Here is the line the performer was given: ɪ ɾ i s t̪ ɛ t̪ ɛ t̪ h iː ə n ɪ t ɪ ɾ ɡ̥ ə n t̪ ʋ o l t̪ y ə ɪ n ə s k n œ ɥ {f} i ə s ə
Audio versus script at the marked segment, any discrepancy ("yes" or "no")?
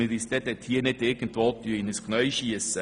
yes